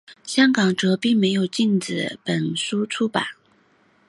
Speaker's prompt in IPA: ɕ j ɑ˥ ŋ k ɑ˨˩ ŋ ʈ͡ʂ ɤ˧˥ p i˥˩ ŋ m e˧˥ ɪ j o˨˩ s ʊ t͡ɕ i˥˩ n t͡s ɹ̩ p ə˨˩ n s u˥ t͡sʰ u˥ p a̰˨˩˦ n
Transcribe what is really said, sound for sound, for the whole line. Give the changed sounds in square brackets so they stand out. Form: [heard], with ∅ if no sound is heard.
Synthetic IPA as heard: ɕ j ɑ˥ ŋ k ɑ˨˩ ŋ ʈ͡ʂ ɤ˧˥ p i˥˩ ŋ m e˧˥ ɪ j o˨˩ [∅] ʊ t͡ɕ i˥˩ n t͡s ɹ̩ p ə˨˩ n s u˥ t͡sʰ u˥ p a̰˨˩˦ n